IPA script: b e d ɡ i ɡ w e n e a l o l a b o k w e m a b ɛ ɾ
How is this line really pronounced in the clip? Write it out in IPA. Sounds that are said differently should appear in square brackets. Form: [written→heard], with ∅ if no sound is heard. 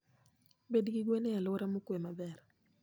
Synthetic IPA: b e d ɡ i ɡ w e n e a l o [l→ɾ] a [b→m] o k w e m a b ɛ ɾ

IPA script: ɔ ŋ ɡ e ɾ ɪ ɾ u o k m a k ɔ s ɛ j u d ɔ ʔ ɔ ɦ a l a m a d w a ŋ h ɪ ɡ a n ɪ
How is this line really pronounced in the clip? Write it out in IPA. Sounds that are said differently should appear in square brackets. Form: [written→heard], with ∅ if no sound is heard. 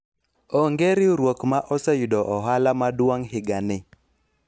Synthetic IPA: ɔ ŋ ɡ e ɾ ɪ ɾ [u→w] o k m a [k→ʔ] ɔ s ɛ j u d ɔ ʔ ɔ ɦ a l a m a d w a ŋ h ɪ ɡ a n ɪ

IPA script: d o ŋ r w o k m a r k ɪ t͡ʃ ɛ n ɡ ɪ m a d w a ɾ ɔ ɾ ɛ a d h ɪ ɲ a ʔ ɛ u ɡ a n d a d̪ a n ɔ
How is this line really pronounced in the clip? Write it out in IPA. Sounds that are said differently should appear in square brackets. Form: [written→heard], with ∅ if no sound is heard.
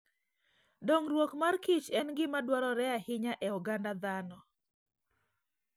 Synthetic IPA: d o ŋ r w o k m a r k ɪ t͡ʃ ɛ n ɡ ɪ m a d w a ɾ ɔ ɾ ɛ a [d→∅] h ɪ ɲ a ʔ ɛ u ɡ a n d a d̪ a n ɔ

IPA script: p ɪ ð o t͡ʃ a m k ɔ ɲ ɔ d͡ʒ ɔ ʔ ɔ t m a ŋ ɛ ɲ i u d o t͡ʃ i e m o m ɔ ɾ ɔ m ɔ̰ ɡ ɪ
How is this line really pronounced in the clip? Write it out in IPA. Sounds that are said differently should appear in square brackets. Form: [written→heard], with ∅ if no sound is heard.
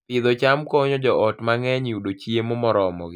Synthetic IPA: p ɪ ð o t͡ʃ a m k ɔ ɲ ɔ d͡ʒ ɔ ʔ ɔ t m a ŋ ɛ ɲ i u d o t͡ʃ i e m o m ɔ ɾ ɔ m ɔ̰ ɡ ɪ

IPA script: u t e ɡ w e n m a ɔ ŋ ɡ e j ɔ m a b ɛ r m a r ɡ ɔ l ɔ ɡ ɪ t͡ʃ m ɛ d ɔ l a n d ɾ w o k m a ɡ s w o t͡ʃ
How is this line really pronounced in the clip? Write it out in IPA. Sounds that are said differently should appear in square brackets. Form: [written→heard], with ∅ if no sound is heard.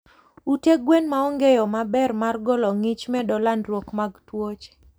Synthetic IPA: u t e ɡ w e n m a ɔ ŋ ɡ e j ɔ m a b ɛ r m a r ɡ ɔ l ɔ [ɡ→ŋ] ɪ t͡ʃ m ɛ d ɔ l a n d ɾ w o k m a ɡ [s→t] w o t͡ʃ

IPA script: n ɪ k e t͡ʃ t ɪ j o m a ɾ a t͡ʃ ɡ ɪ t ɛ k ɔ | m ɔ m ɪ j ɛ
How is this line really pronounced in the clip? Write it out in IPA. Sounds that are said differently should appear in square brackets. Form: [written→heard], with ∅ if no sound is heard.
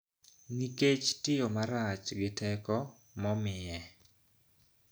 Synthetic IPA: n [ɪ→i] k e t͡ʃ t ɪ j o m a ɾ a t͡ʃ ɡ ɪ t ɛ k ɔ | m ɔ m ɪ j ɛ

